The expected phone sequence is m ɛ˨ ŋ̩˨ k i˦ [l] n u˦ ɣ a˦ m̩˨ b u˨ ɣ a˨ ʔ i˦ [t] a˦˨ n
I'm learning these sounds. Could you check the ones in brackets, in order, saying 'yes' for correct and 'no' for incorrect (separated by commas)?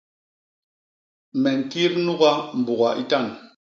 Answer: no, yes